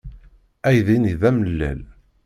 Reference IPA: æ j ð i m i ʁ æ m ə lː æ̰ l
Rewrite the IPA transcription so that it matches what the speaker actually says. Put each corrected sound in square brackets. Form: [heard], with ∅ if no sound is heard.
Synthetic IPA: æ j ð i [n] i [ð] æ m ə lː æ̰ l